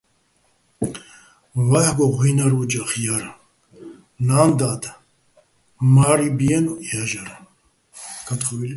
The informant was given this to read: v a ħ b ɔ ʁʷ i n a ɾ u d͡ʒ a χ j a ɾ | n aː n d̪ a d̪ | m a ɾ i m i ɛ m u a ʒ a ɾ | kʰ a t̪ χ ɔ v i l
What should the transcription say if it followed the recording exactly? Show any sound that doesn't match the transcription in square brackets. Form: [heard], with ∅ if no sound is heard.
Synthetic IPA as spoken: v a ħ [ɡ] ɔ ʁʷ i n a ɾ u d͡ʒ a χ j a ɾ | n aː n d̪ a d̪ | m a ɾ i [b] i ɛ [n] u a ʒ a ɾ | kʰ a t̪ χ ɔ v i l